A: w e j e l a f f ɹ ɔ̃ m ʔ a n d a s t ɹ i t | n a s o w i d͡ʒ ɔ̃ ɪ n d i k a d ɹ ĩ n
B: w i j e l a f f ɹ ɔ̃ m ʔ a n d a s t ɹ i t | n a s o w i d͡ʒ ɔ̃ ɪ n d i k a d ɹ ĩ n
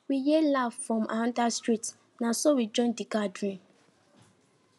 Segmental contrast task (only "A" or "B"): B